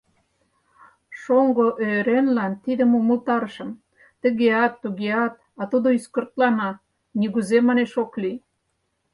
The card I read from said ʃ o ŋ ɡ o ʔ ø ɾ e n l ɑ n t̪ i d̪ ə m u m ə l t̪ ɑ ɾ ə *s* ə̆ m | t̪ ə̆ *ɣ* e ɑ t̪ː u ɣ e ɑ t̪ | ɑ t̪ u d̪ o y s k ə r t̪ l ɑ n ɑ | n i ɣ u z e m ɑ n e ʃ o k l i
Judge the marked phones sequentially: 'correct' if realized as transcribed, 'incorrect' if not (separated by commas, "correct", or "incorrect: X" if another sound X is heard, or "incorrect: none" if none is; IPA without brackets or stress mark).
incorrect: ʃ, correct